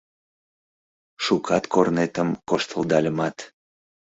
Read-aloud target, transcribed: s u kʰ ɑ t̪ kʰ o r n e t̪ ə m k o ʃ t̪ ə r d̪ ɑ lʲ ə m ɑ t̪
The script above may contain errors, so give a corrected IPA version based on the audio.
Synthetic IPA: ʃ u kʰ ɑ t̪ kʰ o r n e t̪ ə m k o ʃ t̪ ə l d̪ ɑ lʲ ə m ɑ t̪